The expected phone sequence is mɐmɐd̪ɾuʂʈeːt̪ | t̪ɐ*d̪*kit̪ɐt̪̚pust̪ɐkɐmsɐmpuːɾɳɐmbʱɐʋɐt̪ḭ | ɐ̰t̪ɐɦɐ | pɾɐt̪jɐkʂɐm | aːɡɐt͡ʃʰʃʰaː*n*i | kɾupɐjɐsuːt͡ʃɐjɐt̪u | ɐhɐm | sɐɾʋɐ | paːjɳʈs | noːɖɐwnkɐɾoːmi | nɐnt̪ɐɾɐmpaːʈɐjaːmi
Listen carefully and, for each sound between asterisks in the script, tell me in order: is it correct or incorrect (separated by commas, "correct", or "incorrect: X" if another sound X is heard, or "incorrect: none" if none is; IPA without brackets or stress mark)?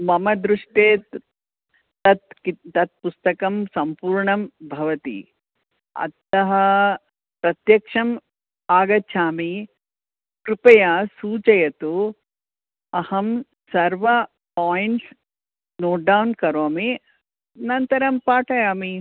incorrect: t̪, incorrect: m